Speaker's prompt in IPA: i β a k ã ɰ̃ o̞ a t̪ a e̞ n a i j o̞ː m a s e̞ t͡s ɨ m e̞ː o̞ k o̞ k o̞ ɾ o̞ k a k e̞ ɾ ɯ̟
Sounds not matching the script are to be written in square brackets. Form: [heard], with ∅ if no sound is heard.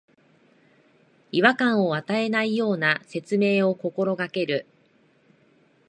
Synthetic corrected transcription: i β a k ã ɰ̃ o̞ a t̪ a e̞ n a i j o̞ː [n] a s e̞ t͡s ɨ m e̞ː o̞ k o̞ k o̞ ɾ o̞ [ɡ] a k e̞ ɾ ɯ̟